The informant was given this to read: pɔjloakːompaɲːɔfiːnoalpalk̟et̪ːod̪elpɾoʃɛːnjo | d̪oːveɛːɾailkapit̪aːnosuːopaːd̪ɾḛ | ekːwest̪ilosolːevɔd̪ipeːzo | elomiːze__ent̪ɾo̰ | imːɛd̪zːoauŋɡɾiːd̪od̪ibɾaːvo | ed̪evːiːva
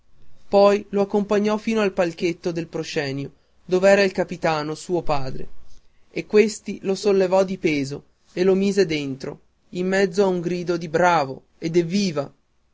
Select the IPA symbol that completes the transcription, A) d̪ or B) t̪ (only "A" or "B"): A